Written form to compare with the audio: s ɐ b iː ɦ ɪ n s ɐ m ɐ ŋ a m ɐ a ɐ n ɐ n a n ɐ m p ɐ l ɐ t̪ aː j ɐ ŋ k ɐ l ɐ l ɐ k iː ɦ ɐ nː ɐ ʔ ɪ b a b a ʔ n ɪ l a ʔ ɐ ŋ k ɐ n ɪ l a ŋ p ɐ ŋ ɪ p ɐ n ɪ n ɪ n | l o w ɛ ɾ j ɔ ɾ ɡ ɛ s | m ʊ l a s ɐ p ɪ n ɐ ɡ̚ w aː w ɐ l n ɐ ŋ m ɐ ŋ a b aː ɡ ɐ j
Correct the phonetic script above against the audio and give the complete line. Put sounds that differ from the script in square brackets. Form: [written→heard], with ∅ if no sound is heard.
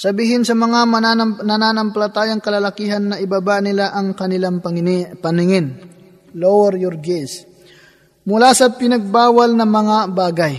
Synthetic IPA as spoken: s ɐ b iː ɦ ɪ n s ɐ m ɐ ŋ a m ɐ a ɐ n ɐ n a n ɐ m p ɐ l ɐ t̪ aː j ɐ ŋ k ɐ l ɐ l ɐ k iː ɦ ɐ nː ɐ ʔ ɪ b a b a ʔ n ɪ l a ʔ ɐ ŋ k ɐ n ɪ l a ŋ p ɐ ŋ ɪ p ɐ n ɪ [n→ŋ] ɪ n | l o w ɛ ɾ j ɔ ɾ ɡ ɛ s | m ʊ l a s ɐ p ɪ n ɐ ɡ̚ [w→b] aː w ɐ l n ɐ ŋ m ɐ ŋ a b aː ɡ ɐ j